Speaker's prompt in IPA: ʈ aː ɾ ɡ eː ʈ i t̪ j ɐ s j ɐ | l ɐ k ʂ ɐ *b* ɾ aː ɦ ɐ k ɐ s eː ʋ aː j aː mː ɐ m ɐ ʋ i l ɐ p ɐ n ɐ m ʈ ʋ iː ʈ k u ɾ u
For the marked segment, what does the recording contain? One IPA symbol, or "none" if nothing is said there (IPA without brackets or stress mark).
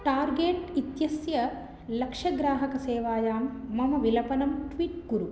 ɡ